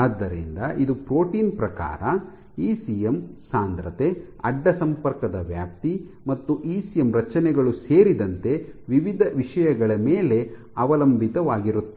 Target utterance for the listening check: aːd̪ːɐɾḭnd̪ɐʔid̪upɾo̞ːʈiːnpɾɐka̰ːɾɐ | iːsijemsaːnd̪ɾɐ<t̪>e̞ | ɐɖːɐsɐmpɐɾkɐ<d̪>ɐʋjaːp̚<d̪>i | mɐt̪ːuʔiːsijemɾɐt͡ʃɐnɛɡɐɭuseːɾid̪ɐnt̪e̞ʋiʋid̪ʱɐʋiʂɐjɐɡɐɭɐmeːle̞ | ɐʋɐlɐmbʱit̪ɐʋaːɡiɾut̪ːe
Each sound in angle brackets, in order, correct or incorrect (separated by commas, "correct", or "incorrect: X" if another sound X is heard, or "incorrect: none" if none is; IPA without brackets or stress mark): correct, correct, incorrect: t̪